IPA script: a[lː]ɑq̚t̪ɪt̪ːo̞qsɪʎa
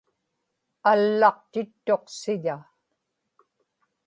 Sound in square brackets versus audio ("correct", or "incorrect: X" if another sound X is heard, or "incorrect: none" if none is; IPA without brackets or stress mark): correct